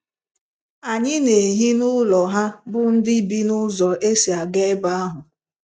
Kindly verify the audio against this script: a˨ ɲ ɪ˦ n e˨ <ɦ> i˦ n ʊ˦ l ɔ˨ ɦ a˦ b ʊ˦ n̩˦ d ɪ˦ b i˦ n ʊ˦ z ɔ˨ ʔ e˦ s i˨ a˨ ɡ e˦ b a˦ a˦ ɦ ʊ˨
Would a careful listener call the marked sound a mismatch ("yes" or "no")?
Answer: no